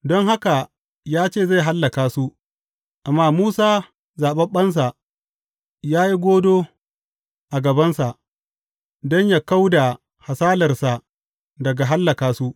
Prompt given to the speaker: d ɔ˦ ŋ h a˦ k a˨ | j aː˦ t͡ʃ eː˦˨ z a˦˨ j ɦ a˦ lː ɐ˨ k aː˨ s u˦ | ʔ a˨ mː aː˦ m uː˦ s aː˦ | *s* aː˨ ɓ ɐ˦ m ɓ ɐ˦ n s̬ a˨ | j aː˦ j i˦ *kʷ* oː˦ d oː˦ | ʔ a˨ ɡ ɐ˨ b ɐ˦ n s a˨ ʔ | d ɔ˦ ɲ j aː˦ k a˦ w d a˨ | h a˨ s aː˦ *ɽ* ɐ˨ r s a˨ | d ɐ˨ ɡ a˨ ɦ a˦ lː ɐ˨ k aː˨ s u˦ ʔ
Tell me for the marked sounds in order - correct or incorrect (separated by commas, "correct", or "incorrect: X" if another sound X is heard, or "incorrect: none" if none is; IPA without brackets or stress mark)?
incorrect: z, incorrect: ɡʷ, incorrect: l